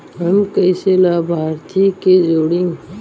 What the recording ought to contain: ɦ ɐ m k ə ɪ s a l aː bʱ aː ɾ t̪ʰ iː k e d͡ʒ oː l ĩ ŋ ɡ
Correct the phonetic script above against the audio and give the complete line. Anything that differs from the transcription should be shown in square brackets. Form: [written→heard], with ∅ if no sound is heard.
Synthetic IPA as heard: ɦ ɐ m k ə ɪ s [a→e] l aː bʱ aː ɾ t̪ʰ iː k e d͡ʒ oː [l→ɽ] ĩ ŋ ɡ